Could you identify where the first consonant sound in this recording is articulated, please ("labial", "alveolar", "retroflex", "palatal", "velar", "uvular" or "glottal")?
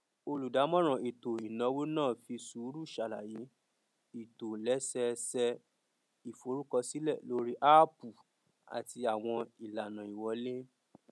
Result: alveolar